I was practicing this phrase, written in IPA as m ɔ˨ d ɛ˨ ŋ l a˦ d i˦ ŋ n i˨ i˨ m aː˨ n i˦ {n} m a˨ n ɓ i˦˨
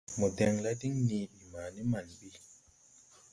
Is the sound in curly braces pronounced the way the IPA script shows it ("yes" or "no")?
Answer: no